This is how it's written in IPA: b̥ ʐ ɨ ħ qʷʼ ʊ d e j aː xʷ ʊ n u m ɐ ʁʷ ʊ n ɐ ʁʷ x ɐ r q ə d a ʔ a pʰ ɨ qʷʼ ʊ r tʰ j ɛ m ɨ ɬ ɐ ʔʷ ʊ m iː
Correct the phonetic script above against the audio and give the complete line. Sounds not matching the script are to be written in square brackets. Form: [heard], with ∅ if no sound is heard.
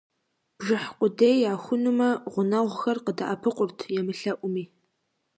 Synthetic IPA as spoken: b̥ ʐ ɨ ħ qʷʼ ʊ d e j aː xʷ ʊ n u m ɐ ʁʷ ʊ n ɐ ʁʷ x ɐ r q ə d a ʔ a pʰ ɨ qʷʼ ʊ r tʰ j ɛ m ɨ ɬ ɐ ʔʷ ʊ m iː